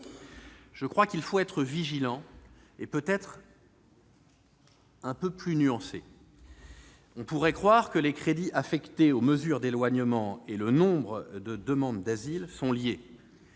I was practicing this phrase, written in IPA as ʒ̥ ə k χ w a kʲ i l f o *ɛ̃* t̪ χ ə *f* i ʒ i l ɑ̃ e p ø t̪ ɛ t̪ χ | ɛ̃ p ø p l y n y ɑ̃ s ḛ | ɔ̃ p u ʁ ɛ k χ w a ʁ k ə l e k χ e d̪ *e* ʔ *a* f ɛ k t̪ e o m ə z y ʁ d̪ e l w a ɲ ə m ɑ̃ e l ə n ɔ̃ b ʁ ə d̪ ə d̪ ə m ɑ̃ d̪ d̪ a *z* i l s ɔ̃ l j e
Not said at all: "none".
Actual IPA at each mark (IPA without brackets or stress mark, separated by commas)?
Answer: ɛ, v, i, a, z